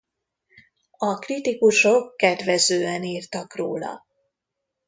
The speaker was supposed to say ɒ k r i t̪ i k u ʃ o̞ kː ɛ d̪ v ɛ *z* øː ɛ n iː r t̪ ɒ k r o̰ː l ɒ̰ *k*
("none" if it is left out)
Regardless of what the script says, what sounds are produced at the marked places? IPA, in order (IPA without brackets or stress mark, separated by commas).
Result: z, none